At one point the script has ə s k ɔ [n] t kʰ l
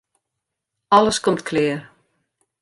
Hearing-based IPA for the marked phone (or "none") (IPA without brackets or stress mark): m